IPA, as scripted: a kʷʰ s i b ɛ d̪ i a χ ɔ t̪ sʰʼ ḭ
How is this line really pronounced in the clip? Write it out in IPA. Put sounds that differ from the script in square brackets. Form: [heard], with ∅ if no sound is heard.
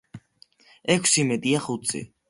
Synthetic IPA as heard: [ɛ] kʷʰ s i [m] ɛ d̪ i a χ [u] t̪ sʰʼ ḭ